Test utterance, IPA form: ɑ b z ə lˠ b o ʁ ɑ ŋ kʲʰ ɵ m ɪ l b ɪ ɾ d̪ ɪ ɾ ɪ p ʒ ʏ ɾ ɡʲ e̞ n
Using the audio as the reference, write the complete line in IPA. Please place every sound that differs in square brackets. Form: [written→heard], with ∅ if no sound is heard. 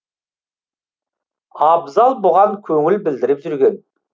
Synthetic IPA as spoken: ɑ b z [ə→ɑ] lˠ b o ʁ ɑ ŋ kʲʰ ɵ [m→ŋ] ɪ l b ɪ [ɾ→l] d̪ ɪ ɾ ɪ p ʒ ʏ ɾ ɡʲ e̞ n

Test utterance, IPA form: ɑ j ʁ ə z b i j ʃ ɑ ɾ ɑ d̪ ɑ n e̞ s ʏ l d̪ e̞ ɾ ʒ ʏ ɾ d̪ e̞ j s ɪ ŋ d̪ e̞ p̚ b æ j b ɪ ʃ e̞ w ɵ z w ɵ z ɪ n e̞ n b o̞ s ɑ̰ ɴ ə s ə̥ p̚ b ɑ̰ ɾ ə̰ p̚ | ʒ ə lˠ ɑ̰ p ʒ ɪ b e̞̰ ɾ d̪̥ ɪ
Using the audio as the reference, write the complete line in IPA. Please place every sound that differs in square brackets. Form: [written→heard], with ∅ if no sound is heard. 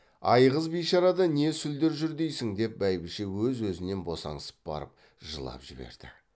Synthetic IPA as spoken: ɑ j ʁ ə z b i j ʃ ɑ ɾ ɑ d̪ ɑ n e̞ s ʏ l d̪ e̞ ɾ ʒ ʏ ɾ d̪ e̞ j s ɪ ŋ d̪ e̞ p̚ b æ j b ɪ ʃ e̞ w ɵ z w ɵ z ɪ n e̞ n b o̞ s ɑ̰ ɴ ə s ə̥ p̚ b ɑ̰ ɾ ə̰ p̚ | ʒ ə lˠ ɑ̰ p ʒ ɪ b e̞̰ ɾ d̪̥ ɪ

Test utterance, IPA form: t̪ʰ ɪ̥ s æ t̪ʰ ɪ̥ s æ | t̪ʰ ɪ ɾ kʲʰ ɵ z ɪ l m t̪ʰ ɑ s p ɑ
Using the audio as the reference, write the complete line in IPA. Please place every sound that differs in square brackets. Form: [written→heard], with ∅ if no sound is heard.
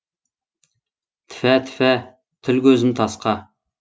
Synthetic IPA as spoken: t̪ʰ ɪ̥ [s→f] æ t̪ʰ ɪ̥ [s→f] æ | t̪ʰ ɪ [ɾ→l] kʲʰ ɵ z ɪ [l→∅] m t̪ʰ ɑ s [p→q] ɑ

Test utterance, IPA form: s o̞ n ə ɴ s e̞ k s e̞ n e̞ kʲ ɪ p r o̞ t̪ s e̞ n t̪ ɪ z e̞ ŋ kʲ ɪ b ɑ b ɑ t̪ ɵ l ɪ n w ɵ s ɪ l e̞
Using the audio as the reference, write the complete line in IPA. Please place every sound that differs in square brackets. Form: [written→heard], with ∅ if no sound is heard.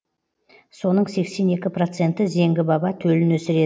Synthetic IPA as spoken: s o̞ n ə ɴ s e̞ k s e̞ n e̞ kʲ ɪ p r o̞ t̪ s e̞ n t̪ ɪ z e̞ ŋ [kʲ→ɡʲ] ɪ b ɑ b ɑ [t̪→t̪ʰ] ɵ l ɪ n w ɵ s ɪ [l→ɾ] e̞

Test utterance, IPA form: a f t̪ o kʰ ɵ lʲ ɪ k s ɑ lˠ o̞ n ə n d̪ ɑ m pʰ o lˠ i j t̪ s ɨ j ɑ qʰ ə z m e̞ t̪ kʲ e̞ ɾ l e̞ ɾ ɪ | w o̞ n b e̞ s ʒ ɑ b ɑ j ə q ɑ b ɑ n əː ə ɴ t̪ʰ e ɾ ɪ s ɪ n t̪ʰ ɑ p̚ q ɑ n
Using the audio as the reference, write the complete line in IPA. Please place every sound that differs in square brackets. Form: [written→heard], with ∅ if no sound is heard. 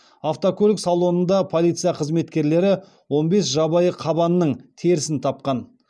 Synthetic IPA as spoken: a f t̪ o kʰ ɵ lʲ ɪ k s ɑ lˠ o̞ n ə n d̪ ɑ [m→∅] pʰ o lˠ i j t̪ s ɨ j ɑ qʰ ə z m e̞ t̪ kʲ e̞ ɾ l e̞ ɾ ɪ | w o̞ n b e̞ s ʒ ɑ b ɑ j ə [q→qʰ] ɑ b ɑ n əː ə ɴ t̪ʰ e ɾ ɪ s ɪ n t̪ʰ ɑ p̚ q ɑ n

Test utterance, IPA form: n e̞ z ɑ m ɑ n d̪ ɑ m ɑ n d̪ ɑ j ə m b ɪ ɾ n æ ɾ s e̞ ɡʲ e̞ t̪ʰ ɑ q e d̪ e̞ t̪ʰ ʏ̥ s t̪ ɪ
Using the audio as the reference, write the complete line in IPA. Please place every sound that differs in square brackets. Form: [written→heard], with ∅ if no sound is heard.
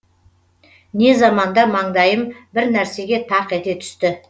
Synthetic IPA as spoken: n e̞ z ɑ m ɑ n d̪ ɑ m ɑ [n→ɴ] d̪ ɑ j ə m b ɪ ɾ n æ ɾ s e̞ ɡʲ e̞ t̪ʰ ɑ q e [d̪→t̪] e̞ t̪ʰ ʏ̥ s t̪ ɪ

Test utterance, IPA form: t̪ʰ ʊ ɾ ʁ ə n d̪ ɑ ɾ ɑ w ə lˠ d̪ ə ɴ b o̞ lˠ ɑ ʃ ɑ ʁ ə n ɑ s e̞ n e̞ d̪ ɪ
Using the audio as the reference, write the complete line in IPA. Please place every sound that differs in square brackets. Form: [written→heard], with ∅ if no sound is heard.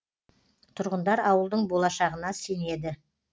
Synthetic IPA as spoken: t̪ʰ ʊ ɾ ʁ ə n d̪ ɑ ɾ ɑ w ə lˠ d̪ ə ɴ b o̞ lˠ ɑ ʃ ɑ ʁ ə n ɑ s e̞ n e̞ d̪ ɪ

